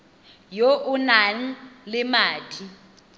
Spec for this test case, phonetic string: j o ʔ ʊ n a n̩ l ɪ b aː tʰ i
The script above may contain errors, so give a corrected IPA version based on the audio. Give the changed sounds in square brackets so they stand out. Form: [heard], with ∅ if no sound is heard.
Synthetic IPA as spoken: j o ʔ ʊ n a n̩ l ɪ [m] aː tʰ i